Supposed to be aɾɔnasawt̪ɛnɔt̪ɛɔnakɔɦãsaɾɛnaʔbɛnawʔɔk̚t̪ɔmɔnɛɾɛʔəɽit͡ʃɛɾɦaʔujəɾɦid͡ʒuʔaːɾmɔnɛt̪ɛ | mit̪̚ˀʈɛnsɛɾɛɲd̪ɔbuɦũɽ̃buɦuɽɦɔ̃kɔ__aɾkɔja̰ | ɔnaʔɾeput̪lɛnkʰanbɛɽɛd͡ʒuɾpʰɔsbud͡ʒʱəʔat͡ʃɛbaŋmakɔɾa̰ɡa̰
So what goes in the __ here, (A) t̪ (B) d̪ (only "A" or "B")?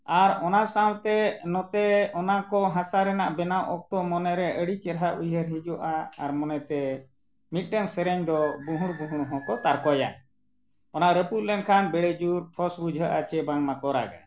A